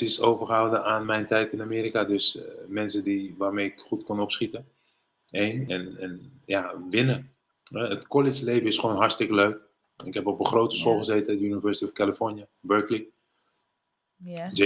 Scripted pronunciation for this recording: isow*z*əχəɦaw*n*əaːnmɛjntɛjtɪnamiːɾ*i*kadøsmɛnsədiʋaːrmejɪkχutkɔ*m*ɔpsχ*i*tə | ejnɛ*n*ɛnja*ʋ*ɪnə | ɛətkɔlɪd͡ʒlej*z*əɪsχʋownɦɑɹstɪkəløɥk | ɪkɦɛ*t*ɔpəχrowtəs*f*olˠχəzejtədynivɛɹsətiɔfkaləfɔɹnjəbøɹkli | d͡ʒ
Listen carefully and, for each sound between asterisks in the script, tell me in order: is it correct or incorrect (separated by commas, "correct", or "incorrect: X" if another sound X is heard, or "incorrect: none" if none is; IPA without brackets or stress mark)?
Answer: incorrect: v, incorrect: d, correct, incorrect: n, correct, correct, correct, incorrect: v, incorrect: p, incorrect: χ